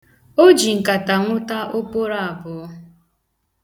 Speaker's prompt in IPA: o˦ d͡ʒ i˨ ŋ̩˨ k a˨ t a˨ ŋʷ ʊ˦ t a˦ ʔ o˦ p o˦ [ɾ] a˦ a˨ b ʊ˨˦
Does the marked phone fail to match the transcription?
no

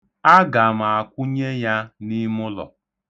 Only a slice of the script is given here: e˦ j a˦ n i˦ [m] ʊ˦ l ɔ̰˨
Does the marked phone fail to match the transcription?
no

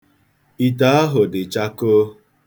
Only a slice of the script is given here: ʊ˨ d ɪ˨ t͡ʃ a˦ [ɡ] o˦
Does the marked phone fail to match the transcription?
yes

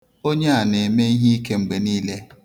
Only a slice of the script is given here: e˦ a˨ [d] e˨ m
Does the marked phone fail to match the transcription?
yes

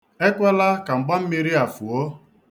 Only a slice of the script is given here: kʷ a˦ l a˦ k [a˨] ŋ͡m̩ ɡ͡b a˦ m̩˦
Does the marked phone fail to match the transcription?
no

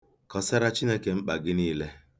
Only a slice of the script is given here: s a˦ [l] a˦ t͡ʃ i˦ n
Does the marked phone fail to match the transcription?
yes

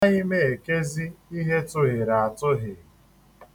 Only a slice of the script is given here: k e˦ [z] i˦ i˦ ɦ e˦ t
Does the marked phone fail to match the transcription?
no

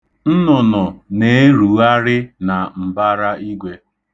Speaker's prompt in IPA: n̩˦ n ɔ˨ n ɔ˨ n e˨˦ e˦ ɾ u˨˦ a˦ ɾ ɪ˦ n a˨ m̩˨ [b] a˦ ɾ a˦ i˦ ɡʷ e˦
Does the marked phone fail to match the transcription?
no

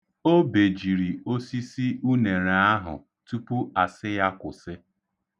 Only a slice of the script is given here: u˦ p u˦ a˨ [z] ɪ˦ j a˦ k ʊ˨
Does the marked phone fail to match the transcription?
yes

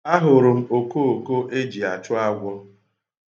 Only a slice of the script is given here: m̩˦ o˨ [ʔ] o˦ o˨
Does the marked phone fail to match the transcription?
yes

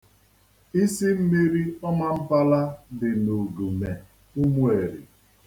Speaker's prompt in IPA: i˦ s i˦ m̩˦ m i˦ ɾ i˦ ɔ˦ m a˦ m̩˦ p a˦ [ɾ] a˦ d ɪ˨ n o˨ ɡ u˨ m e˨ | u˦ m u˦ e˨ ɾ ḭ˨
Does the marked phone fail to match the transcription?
yes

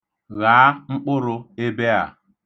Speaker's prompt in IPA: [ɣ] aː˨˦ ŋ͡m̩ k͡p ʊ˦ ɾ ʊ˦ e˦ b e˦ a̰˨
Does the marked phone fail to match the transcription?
no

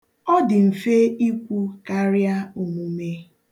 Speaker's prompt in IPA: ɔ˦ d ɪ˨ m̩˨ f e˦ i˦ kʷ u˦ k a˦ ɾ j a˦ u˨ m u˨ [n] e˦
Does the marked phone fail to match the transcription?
yes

